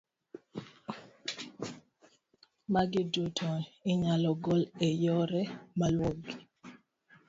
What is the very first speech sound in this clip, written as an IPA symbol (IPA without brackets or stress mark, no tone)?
m